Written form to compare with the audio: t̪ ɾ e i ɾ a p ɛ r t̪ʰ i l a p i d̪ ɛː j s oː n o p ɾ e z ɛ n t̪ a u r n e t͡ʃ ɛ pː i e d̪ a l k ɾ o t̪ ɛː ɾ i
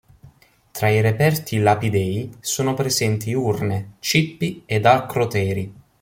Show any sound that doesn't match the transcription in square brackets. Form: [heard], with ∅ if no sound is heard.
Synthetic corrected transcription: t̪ ɾ [a] i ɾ [e] p ɛ r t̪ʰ i l a p i d̪ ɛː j s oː n o p ɾ e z ɛ n t̪ [i] u r n e t͡ʃ [i] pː i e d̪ a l k ɾ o t̪ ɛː ɾ i

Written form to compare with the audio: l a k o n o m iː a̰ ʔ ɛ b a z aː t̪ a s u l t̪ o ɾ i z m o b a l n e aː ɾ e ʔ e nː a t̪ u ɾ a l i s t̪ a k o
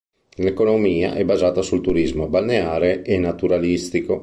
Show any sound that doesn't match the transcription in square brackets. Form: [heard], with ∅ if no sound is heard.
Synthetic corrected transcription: l [e] k o n o m iː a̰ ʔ ɛ b a z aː t̪ a s u l t̪ [u] ɾ i z m o b a l n e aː ɾ e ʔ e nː a t̪ u ɾ a l i s t̪ [i] k o

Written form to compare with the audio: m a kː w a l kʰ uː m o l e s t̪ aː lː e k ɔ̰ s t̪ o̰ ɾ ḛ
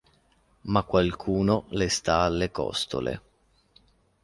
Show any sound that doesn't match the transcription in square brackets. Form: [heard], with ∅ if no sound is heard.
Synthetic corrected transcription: m a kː w a l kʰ uː [n] o l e s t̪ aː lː e k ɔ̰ s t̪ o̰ [l] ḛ

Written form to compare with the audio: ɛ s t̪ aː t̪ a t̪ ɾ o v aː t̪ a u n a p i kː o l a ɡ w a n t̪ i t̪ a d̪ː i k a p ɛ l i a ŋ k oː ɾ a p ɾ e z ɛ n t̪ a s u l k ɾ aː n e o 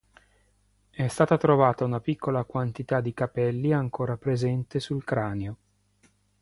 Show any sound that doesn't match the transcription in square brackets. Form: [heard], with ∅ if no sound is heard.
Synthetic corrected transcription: ɛ s t̪ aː t̪ a t̪ ɾ o v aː t̪ a u n a p i kː o l a [k] w a n t̪ i t̪ a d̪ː i k a p ɛ [lː] i a ŋ k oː ɾ a p ɾ e z ɛ n t̪ [e] s u l k ɾ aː n e o

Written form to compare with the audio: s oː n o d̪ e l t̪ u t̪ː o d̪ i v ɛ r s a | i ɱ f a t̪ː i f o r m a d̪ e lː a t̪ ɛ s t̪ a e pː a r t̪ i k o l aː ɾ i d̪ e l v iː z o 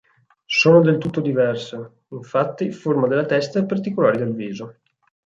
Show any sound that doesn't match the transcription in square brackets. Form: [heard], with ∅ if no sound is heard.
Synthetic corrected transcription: s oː n o d̪ e l t̪ u t̪ː o d̪ i v ɛ r s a | i ɱ f a t̪ː i f o r m a d̪ e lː a t̪ ɛ s t̪ a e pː a r t̪ i k o l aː ɾ i d̪ e l v iː z o

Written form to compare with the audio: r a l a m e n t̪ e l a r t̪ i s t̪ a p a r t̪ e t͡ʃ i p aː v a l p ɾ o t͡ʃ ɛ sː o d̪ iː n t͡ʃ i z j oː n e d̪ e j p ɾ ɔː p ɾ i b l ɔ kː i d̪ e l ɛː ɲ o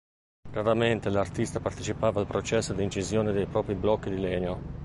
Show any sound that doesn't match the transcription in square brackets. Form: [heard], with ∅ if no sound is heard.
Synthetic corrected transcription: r a [ɾ] a m e n t̪ e l a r t̪ i s t̪ a p a r t̪ e t͡ʃ i p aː v a l p ɾ o t͡ʃ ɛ sː o d̪ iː n t͡ʃ i z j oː n e d̪ e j p ɾ ɔː p ɾ i b l ɔ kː i d̪ [i] l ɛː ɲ o

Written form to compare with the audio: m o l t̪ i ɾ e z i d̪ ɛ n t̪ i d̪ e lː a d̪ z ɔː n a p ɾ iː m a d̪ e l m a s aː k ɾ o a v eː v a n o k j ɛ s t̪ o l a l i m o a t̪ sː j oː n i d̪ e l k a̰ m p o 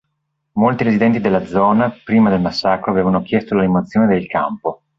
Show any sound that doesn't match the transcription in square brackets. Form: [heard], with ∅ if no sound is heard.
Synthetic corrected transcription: m o l t̪ i ɾ e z i d̪ ɛ n t̪ i d̪ e lː a d̪ z ɔː n a p ɾ iː m a d̪ e l m a [sː] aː k ɾ o a v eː v a n o k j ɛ s t̪ o l a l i m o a t̪ sː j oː n [e] d̪ e l k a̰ m p o

